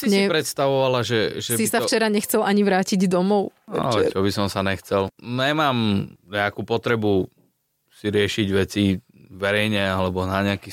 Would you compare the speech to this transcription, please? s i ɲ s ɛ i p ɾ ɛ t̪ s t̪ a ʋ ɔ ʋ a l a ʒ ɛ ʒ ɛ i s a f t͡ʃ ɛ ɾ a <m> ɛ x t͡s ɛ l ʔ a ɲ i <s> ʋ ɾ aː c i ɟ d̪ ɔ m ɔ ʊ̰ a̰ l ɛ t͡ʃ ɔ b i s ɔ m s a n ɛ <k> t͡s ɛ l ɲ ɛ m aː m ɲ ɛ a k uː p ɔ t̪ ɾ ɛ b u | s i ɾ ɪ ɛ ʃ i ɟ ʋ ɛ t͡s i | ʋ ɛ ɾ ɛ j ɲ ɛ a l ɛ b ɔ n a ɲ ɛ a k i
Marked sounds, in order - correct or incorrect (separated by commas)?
incorrect, incorrect, incorrect